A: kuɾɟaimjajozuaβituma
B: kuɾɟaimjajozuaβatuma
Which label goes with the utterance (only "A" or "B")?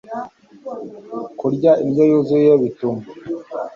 A